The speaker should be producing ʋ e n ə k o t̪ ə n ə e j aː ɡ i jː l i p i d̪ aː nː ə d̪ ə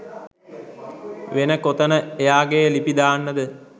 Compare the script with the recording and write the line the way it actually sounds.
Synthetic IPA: ʋ e n ə k o t̪ ə n ə e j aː ɡ e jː l i p i d̪ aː nː ə d̪ ə